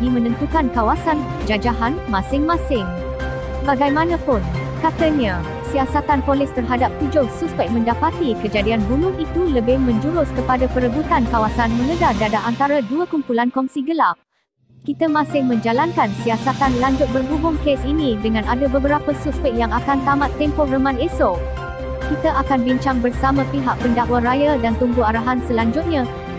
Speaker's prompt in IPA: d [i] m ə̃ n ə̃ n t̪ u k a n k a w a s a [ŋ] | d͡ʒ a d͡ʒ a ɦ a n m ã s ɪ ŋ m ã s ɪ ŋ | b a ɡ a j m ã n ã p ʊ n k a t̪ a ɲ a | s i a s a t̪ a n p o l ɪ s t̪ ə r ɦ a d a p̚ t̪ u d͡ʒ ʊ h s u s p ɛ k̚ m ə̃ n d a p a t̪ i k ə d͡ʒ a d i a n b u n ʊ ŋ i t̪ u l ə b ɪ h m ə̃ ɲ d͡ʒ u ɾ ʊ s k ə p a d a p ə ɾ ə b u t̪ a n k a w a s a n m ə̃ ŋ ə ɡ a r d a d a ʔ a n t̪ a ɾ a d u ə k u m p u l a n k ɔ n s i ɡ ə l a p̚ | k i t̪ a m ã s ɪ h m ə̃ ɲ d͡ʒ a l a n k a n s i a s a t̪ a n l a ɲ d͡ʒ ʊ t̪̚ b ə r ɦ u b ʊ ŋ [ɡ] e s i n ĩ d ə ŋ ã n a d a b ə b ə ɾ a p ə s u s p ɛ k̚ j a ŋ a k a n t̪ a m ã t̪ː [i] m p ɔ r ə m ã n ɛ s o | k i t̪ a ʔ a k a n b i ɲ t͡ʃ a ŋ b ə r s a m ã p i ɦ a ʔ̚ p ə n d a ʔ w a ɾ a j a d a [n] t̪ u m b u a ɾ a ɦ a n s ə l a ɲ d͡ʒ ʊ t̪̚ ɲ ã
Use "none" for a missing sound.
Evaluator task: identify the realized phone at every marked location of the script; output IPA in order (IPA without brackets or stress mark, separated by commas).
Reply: i, n, k, ɛ, n